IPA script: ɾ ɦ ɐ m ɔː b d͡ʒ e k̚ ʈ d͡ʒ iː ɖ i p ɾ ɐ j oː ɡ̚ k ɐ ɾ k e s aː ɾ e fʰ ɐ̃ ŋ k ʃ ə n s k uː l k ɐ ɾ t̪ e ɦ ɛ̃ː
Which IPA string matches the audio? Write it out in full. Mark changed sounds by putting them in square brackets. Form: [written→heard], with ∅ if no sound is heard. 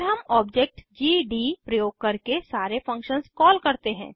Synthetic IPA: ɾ ɦ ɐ m ɔː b d͡ʒ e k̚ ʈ d͡ʒ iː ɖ i p ɾ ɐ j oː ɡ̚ k ɐ ɾ k e s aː ɾ e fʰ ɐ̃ ŋ k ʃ ə n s k [uː→ɔː] l k ɐ ɾ t̪ e ɦ ɛ̃ː